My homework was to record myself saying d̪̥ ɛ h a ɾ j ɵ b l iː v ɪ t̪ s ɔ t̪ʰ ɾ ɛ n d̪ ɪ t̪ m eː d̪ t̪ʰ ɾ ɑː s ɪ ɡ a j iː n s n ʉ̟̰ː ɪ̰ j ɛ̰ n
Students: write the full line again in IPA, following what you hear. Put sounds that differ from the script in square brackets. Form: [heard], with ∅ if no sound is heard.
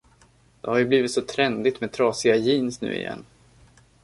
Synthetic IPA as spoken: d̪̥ ɛ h a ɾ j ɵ b l iː v ɪ t̪ s ɔ t̪ʰ ɾ ɛ n d̪ ɪ t̪ m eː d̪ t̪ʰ ɾ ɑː s ɪ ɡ a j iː n s n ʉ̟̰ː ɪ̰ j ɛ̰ [nː]